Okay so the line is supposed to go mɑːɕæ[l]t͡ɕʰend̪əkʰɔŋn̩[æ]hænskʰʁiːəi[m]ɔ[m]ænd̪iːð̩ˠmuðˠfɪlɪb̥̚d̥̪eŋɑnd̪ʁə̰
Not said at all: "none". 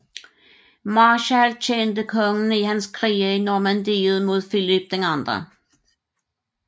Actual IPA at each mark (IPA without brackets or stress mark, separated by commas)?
l, i, n, m